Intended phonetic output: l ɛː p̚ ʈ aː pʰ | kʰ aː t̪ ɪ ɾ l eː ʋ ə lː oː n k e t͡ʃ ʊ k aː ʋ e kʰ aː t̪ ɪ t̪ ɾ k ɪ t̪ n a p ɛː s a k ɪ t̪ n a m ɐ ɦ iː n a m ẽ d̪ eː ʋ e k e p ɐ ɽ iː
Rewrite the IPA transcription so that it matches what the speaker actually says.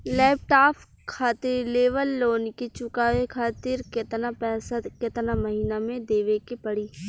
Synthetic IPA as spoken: l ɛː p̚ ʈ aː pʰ | kʰ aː t̪ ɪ ɾ l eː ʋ ə lː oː n k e t͡ʃ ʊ k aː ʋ e kʰ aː t̪ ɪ ɾ k ɪ t̪ n a p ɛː s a k ɪ t̪ n a m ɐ ɦ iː n a m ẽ d̪ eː ʋ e k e p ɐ ɽ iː